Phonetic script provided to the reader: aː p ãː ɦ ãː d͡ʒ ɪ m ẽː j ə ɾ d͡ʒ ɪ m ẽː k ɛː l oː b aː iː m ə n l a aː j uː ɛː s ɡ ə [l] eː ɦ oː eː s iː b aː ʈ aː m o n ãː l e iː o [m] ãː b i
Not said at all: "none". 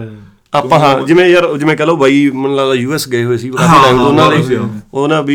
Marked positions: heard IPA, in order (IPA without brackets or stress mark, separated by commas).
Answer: none, n